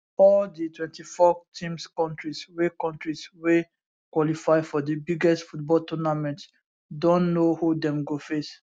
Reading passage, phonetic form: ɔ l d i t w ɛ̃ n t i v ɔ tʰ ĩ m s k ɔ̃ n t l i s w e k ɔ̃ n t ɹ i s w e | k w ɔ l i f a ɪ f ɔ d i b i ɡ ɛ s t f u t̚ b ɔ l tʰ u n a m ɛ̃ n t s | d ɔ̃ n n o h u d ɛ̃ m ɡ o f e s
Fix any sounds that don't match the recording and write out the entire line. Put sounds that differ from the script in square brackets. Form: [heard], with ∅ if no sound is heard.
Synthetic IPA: ɔ l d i t w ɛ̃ n t i [f] ɔ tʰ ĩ m s k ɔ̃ n t [ɹ] i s w e k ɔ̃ n t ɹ i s w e | k w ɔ l i f a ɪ f ɔ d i b i ɡ ɛ s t f u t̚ b ɔ l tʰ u n a m ɛ̃ n t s | d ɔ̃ n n o h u d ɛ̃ m ɡ o f e s